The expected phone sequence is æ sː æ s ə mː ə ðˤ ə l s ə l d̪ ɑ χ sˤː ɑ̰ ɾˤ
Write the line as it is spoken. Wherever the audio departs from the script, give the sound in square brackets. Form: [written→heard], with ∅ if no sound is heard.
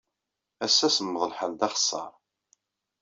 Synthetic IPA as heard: æ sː æ s ə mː ə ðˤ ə l [s→ħ] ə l d̪ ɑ χ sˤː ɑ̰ ɾˤ